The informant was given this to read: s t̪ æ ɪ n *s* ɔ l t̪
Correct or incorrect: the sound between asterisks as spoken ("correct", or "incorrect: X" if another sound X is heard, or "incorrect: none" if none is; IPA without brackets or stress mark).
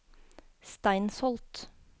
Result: correct